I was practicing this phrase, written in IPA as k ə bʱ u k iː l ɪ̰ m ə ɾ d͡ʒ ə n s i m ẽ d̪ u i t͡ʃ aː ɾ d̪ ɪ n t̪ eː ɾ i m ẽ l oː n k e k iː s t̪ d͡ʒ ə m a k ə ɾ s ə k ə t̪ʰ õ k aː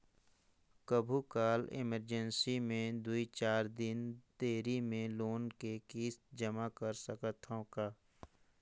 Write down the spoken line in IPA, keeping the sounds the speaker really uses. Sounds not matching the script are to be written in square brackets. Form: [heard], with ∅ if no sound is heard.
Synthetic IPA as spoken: k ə bʱ u k [aː] l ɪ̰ m ə ɾ d͡ʒ ə n s i m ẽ d̪ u i t͡ʃ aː ɾ d̪ ɪ n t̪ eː ɾ i m ẽ l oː n k e k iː s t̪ d͡ʒ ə m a k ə ɾ s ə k ə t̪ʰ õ k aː